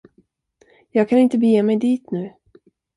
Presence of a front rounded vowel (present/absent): absent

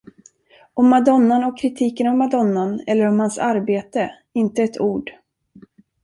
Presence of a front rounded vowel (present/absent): absent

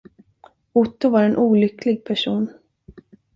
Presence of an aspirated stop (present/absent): present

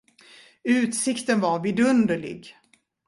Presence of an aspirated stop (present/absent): absent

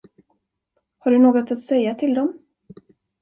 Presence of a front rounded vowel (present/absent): absent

